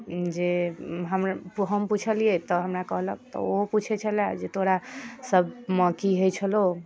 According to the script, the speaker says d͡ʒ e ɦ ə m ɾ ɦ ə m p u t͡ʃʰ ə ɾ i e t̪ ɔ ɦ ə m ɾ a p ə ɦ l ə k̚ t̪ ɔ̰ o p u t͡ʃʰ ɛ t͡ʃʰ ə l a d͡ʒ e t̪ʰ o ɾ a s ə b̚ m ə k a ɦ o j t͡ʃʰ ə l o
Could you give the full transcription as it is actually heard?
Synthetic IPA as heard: d͡ʒ e ɦ ə m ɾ ɦ ə m p u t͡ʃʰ ə l i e t̪ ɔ ɦ ə m ɾ a k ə ɦ l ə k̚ t̪ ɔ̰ o p u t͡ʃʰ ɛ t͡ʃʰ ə l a d͡ʒ e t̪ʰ o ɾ a s ə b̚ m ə k i ɦ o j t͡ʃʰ ə l o